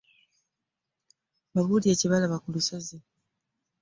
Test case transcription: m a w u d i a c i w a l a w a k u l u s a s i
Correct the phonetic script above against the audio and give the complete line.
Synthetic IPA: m a β u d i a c i β a l a β a k u l u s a z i